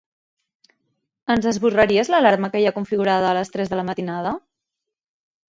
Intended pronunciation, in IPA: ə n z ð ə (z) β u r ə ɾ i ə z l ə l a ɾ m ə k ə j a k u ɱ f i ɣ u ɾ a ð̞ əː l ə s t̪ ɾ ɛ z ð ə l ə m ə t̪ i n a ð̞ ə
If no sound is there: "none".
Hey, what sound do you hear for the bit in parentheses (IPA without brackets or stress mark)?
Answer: z